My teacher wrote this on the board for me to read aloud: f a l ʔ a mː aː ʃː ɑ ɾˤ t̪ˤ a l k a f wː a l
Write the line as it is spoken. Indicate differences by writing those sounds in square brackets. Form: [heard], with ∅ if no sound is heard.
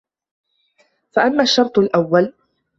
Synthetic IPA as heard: f a [∅] ʔ a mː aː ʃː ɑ ɾˤ t̪ˤ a l [ʔ] a [∅] wː a l